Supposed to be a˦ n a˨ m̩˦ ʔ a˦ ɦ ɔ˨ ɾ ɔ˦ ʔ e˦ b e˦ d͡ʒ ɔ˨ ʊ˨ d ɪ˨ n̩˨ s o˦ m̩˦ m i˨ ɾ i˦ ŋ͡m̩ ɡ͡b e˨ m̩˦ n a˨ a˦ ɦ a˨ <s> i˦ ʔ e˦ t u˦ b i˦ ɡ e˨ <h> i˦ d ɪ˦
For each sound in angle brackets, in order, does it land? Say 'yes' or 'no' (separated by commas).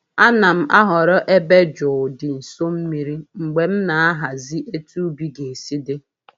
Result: no, no